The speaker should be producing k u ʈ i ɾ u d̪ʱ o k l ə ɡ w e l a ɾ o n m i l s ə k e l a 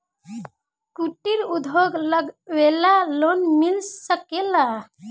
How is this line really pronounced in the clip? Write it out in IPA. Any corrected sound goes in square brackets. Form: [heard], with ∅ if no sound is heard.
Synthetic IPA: k u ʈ i ɾ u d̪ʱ o [ɡ] l ə ɡ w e l a [l] o n m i l s ə k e l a